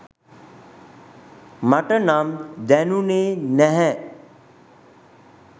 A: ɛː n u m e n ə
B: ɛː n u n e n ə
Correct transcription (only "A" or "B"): B